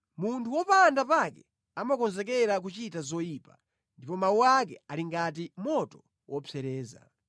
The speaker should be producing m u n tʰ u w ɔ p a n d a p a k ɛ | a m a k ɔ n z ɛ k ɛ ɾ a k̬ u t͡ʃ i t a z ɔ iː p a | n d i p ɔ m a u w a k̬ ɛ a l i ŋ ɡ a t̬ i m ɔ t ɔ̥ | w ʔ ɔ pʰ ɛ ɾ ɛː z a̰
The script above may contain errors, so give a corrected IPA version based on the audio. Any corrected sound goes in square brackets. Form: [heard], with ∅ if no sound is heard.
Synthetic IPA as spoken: m u n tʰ u w ɔ p a n d a p a k ɛ | a m a k ɔ n z ɛ k ɛ ɾ a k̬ u t͡ʃ i t a z ɔ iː p a | n d i p ɔ m a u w a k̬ ɛ a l i ŋ ɡ a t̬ i m ɔ t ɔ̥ | w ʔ ɔ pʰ ɛ ɾ ɛː z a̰